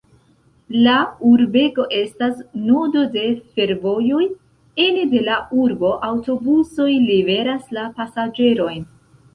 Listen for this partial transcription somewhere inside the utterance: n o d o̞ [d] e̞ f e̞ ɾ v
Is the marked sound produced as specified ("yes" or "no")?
yes